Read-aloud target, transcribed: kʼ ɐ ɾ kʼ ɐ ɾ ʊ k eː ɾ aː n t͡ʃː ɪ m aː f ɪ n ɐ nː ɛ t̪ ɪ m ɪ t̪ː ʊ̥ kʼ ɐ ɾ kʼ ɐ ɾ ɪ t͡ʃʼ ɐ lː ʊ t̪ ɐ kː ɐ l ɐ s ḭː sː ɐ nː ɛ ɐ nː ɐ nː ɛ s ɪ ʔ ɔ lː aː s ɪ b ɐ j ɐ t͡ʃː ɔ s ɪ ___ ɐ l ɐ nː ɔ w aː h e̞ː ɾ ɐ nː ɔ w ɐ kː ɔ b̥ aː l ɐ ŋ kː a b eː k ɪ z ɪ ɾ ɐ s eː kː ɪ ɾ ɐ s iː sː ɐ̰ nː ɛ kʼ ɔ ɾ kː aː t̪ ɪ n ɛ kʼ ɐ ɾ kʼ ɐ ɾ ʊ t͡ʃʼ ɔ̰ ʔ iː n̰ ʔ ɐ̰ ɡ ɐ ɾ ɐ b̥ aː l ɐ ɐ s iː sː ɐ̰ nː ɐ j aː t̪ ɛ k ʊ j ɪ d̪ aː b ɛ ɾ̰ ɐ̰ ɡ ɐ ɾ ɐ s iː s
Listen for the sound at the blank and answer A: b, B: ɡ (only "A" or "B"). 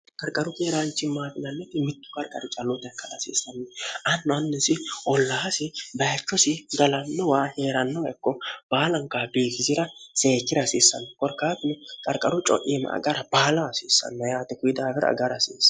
B